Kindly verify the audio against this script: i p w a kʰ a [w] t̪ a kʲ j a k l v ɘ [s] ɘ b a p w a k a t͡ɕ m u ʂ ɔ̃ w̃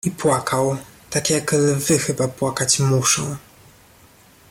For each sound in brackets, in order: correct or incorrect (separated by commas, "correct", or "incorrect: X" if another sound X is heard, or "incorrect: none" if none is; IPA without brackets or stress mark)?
correct, incorrect: x